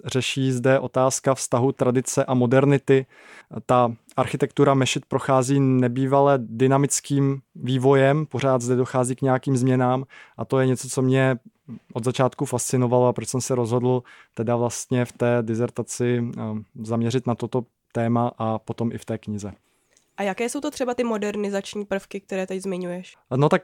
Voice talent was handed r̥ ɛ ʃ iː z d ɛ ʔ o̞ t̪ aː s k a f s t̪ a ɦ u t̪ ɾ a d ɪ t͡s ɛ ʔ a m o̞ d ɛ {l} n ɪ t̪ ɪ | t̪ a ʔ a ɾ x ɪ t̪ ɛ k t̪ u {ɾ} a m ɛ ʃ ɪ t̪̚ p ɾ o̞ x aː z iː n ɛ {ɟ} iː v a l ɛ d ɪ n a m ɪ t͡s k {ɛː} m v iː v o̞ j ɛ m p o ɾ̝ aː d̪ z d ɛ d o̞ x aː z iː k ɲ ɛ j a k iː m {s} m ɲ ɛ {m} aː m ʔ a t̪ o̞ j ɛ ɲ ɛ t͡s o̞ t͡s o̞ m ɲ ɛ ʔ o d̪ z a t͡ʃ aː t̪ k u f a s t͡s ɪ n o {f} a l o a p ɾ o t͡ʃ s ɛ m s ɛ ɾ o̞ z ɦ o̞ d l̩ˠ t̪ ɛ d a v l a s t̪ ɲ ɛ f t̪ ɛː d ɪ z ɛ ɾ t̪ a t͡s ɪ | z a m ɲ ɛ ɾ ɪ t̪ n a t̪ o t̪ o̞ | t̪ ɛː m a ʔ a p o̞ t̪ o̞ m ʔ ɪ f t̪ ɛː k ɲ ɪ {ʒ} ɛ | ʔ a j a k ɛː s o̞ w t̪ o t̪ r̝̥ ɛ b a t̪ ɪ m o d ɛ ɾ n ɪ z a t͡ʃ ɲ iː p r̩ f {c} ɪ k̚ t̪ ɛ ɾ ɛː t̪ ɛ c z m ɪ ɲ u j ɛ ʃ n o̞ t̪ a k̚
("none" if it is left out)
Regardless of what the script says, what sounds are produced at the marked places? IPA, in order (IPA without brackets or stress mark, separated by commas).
ɾ, ɾ, b, iː, z, n, v, z, k